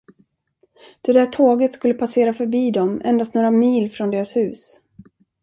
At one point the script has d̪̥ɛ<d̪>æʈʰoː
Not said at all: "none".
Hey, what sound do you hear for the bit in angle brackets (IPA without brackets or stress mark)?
d̪